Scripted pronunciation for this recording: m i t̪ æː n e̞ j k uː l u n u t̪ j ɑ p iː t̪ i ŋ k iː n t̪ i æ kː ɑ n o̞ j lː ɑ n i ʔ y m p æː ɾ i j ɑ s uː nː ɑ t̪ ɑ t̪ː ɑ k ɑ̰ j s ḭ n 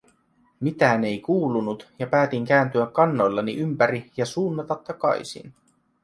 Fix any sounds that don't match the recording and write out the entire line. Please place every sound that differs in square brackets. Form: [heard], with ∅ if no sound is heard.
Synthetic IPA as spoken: m i t̪ æː n e̞ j k uː l u n u t̪ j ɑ p [æː] t̪ i ŋ k [æː] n t̪ [y] æ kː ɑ [nː] o̞ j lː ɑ n i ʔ y m p [æ] ɾ i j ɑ s uː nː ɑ t̪ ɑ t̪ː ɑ k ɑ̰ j s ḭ n